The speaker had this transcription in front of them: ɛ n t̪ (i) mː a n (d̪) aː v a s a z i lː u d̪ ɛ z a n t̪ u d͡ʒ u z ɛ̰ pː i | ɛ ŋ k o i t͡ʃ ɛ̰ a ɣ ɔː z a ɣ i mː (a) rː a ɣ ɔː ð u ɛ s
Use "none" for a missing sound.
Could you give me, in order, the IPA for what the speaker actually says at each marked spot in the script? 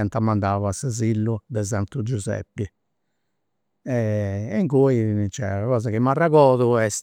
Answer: a, d̪, a

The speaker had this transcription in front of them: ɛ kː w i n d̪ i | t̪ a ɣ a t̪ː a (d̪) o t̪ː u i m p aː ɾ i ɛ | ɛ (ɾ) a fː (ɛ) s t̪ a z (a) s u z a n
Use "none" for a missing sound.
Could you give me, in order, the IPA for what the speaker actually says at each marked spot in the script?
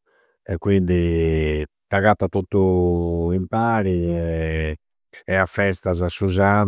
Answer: t̪, none, ɛ, a

